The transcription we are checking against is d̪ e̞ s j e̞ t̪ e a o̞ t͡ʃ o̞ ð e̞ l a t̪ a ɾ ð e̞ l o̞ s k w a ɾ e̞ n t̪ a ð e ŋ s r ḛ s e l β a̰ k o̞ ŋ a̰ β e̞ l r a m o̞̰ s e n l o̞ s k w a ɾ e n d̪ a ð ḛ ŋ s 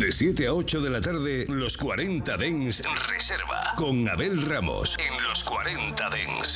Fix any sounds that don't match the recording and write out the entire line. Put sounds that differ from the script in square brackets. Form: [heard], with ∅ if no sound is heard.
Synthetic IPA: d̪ e̞ s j e̞ t̪ e a o̞ t͡ʃ o̞ ð e̞ l a t̪ a ɾ ð e̞ l o̞ s k w a ɾ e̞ n t̪ a ð e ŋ s r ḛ s e [ɾ] β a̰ k o̞ ŋ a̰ β e̞ l r a m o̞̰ s e n l o̞ s k w a ɾ e n [t̪] a ð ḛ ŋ s